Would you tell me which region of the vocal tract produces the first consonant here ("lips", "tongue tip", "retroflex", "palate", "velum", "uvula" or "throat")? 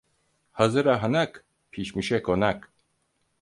throat